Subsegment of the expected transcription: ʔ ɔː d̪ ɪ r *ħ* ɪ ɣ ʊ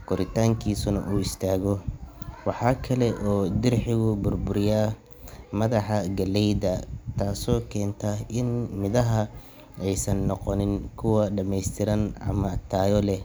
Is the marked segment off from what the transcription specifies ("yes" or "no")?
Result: no